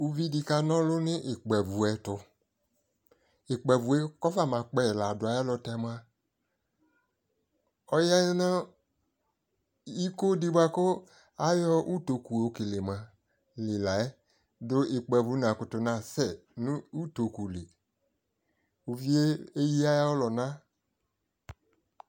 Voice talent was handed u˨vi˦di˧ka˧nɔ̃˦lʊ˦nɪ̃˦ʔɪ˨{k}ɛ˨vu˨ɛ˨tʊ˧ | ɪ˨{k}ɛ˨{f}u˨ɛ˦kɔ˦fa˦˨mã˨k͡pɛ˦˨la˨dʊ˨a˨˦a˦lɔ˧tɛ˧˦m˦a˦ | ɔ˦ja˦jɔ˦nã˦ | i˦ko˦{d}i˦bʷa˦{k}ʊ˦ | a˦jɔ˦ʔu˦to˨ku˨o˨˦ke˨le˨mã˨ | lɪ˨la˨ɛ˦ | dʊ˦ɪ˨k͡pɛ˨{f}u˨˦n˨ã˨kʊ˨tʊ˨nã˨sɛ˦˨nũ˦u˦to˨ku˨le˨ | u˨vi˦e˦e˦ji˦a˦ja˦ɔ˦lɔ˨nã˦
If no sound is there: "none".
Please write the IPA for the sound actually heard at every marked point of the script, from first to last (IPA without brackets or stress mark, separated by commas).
k͡p, k͡p, v, d, k, v